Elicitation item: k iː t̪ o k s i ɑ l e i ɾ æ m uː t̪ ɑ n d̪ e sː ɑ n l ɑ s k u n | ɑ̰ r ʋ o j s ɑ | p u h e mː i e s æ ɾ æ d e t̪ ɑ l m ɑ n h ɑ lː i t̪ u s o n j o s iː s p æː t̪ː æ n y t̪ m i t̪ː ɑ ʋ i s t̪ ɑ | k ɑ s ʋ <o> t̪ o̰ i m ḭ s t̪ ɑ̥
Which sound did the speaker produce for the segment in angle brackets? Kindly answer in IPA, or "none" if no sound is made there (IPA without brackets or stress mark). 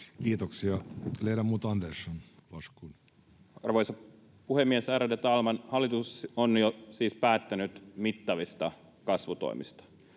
u